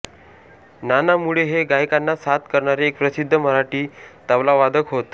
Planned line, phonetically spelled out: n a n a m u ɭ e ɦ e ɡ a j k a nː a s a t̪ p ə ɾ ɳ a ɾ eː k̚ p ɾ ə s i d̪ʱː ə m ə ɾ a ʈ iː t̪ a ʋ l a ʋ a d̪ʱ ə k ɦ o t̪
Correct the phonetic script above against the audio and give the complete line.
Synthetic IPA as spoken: n a n a m u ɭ e ɦ e ɡ a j k a nː a s a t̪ k ə ɾ ɳ a ɾ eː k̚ p ɾ ə s i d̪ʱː ə m ə ɾ a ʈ iː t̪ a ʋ l a ʋ a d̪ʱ ə k ɦ o t̪